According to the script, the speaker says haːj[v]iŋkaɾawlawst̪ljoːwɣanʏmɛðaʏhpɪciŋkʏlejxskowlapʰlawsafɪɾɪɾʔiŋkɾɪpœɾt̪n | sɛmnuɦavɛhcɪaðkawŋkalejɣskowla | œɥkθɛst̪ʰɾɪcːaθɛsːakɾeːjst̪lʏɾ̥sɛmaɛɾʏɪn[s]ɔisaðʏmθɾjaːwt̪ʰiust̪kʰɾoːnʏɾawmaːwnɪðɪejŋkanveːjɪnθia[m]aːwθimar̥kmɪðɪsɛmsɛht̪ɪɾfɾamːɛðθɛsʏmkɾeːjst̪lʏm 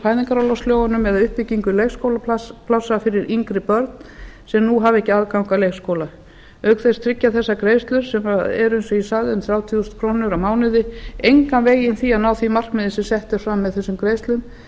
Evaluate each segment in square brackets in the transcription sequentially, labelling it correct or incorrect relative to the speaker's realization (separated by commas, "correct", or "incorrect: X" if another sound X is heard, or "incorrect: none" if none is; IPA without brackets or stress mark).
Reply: incorrect: ð, correct, incorrect: n